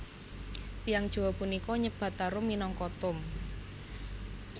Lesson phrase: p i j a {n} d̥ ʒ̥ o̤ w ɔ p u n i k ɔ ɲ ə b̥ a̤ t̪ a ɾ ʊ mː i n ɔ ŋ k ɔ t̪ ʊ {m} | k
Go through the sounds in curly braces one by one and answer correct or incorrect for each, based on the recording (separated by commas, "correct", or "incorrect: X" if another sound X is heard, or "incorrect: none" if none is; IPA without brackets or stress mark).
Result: incorrect: ŋ, correct